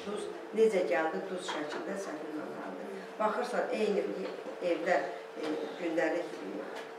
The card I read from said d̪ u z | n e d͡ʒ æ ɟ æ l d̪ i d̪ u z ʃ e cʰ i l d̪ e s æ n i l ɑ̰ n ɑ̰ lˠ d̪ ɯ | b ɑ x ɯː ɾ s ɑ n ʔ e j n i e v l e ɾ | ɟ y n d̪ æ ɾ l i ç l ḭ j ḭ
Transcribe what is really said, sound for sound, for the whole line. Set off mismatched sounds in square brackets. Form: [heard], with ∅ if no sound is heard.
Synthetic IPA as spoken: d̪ u z | n e d͡ʒ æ ɟ æ l d̪ i d̪ u z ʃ [æ] cʰ i l d̪ [æ] s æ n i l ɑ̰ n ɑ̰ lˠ d̪ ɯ | b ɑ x [ɯ] ɾ s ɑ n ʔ e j n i e v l [æ] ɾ | ɟ y n d̪ æ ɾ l i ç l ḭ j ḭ